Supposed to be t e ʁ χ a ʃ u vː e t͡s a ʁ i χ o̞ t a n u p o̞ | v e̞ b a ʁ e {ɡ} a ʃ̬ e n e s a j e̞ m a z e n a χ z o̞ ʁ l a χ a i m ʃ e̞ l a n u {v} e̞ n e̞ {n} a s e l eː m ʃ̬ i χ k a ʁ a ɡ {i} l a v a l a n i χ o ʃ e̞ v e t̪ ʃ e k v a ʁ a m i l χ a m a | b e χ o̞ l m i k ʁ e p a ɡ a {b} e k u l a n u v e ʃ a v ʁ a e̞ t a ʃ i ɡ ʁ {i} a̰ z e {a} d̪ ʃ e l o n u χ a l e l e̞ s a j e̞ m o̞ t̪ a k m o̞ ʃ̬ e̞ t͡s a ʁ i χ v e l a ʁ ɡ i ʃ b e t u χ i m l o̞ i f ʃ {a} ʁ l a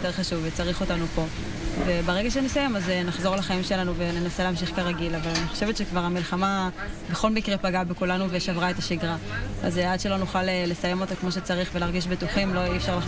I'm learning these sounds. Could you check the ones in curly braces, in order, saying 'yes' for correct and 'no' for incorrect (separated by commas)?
yes, yes, yes, yes, yes, no, yes, yes